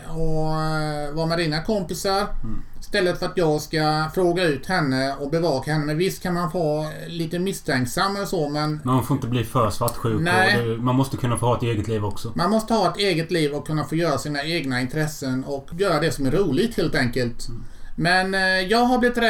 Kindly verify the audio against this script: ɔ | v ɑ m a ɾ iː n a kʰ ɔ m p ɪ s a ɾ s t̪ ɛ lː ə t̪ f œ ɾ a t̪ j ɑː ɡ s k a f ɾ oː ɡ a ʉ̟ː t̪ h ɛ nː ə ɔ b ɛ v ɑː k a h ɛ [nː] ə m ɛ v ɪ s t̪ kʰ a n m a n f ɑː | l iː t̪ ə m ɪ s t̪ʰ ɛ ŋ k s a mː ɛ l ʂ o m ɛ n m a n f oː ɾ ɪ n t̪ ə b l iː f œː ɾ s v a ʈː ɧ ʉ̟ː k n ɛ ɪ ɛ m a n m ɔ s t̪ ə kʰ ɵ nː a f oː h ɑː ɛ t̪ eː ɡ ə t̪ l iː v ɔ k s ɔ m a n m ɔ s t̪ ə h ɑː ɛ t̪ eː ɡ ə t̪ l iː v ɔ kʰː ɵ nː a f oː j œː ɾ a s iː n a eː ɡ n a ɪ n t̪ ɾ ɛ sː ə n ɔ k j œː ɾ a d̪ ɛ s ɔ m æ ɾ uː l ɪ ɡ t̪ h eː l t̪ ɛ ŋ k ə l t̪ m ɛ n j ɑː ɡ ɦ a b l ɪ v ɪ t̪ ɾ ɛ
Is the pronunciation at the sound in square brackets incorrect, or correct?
correct